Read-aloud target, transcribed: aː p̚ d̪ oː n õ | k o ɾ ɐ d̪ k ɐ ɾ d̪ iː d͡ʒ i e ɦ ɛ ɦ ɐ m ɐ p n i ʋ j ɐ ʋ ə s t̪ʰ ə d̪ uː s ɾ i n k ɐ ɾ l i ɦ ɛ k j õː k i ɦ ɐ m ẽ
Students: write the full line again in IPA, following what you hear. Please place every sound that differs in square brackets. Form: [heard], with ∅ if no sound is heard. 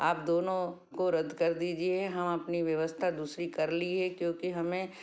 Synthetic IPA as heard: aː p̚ d̪ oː n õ | k o ɾ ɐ d̪ k ɐ ɾ d̪ iː d͡ʒ i e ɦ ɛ ɦ ɐ m ɐ p n i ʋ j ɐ ʋ ə s t̪ʰ [a] d̪ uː s ɾ i [∅] k ɐ ɾ l i ɦ ɛ k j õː k i ɦ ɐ m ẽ